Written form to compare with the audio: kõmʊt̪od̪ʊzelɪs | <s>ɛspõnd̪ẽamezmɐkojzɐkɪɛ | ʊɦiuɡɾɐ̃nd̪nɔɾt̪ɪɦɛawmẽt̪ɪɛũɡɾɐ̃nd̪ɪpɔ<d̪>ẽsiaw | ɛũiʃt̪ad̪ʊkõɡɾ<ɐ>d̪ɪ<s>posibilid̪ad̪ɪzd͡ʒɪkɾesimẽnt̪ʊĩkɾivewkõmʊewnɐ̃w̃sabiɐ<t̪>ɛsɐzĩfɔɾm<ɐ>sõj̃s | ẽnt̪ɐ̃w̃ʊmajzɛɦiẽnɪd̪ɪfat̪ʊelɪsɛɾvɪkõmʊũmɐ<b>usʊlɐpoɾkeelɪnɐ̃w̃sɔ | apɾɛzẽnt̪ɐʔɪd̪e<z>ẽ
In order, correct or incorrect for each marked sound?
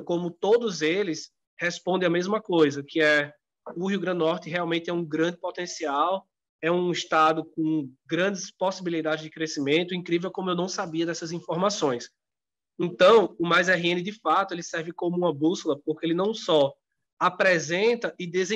incorrect: h, incorrect: t̪, incorrect: ɐ̃, correct, incorrect: d̪, incorrect: a, correct, correct

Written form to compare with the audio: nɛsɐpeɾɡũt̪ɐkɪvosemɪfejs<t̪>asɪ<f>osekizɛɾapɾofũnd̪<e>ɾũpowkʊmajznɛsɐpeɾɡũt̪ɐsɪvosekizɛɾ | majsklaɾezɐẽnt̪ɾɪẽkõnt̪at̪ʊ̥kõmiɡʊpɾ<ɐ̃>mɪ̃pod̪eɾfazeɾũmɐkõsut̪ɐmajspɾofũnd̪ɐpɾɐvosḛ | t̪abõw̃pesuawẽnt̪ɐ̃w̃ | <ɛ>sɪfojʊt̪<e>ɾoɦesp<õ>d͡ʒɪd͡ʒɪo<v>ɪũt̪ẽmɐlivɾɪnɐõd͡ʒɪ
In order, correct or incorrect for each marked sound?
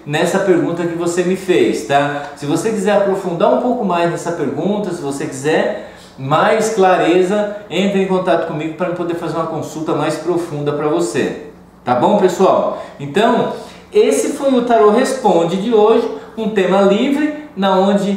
correct, incorrect: v, incorrect: a, incorrect: ɐ, incorrect: e, incorrect: a, correct, incorrect: ʒ

